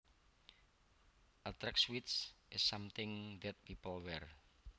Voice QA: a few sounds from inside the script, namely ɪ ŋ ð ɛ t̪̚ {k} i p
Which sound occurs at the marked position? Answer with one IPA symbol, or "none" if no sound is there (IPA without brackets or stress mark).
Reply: p